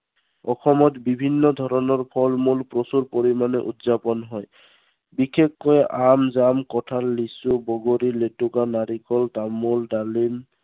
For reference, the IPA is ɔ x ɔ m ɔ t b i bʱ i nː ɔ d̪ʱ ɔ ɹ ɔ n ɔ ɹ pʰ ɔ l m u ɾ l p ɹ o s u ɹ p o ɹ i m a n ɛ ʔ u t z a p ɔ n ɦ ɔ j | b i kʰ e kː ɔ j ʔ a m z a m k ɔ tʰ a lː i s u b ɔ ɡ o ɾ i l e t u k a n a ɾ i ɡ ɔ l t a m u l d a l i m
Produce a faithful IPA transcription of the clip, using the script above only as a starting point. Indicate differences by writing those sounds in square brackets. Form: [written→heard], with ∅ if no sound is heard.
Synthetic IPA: ɔ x ɔ m ɔ t b i bʱ i nː ɔ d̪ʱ ɔ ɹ ɔ n ɔ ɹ pʰ ɔ l m u [ɾ→∅] l p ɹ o s u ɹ p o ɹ i m a n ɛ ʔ u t z a p ɔ n ɦ ɔ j | b i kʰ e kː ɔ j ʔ a m z a m k ɔ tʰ a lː i s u b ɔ ɡ o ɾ i l e t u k a n a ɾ i [ɡ→k] ɔ l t a m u l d a l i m

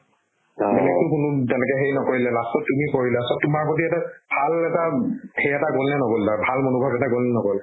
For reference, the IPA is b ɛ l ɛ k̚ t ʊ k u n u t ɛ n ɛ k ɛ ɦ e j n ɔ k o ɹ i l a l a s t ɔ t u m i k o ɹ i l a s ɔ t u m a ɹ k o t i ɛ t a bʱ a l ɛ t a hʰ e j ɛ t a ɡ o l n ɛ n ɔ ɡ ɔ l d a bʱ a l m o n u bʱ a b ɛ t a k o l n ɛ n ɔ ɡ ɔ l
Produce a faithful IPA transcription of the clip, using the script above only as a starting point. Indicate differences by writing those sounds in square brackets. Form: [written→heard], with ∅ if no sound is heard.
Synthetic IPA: b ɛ l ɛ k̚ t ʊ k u n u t ɛ n ɛ k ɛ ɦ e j n ɔ k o ɹ i l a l a s t ɔ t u m i k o ɹ i l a s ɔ t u m a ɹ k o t i ɛ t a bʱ a l ɛ t a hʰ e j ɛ t a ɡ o l n ɛ n ɔ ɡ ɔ l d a bʱ a l m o n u bʱ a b ɛ t a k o l n ɛ n ɔ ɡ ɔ l

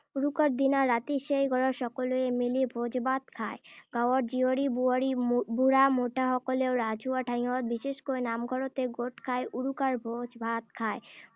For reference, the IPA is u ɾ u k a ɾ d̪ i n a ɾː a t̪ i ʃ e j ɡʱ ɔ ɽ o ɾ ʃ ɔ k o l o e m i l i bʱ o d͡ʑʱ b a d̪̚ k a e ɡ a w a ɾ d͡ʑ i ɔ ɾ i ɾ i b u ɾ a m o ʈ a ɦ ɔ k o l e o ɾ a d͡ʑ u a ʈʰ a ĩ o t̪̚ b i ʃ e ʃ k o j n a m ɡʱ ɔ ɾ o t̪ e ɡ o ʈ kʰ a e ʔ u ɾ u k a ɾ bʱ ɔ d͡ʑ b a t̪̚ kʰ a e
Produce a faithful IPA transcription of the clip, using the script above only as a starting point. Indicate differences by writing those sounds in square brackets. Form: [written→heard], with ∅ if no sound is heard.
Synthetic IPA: u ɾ u k a ɾ d̪ i n a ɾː a t̪ i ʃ e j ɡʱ ɔ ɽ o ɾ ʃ ɔ k o l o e m i l i bʱ o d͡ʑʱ b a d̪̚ [k→kʰ] a e ɡ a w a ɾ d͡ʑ i [ɔ→o] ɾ i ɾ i b u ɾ a m o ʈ a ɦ ɔ k o l e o ɾ a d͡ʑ u a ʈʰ a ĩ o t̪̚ b i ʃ e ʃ k o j n a m ɡʱ ɔ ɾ o t̪ e ɡ o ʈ kʰ a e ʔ u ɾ u k a ɾ bʱ [ɔ→o] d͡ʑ b a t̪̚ kʰ a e

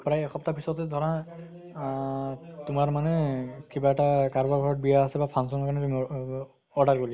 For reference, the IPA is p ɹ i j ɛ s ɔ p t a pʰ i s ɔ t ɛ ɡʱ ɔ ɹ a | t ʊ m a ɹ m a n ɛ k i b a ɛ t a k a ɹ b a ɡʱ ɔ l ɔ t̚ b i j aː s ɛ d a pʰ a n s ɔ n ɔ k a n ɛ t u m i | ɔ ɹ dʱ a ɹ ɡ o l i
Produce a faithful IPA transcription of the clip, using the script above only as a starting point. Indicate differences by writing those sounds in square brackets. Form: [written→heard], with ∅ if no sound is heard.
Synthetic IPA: p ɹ [i→a] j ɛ [s→x] ɔ p t a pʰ i s ɔ t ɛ [ɡʱ→dʱ] ɔ ɹ a | t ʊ m a ɹ m a n ɛ k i b a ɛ t a k a ɹ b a ɡʱ ɔ [l→ɹ] ɔ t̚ b i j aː s ɛ [d→b] a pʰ a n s ɔ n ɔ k a n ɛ t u m i | ɔ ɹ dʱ a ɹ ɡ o l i

